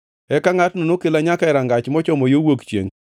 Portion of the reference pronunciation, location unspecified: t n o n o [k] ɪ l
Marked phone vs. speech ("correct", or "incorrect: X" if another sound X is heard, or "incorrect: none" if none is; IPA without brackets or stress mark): correct